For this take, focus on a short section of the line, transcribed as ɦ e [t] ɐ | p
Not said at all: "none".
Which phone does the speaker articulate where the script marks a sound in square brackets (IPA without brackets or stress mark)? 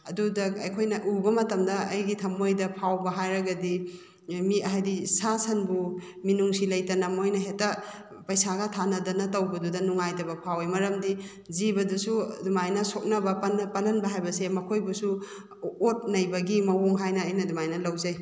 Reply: t